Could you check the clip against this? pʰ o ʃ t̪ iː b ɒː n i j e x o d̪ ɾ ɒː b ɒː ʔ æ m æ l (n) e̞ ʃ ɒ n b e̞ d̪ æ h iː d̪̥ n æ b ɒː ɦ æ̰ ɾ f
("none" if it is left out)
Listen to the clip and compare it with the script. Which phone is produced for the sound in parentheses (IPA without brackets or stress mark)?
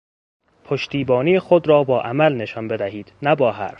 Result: n